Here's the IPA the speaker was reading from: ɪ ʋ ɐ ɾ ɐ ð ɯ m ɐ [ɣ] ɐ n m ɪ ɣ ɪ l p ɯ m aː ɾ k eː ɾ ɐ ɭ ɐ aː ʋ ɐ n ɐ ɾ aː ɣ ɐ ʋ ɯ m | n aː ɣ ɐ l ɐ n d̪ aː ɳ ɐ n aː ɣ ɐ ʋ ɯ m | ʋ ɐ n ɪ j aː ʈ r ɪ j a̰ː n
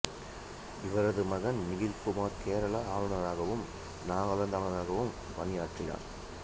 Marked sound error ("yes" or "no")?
no